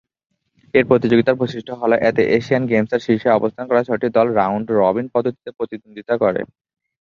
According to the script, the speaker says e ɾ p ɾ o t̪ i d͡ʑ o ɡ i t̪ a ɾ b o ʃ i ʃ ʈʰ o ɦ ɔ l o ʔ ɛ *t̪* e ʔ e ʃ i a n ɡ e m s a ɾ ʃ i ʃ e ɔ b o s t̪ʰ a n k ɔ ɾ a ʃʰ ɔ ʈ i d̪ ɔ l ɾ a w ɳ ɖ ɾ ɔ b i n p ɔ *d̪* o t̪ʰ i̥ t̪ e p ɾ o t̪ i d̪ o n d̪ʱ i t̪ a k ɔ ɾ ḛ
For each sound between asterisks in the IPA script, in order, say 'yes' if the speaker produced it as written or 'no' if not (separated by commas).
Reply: yes, yes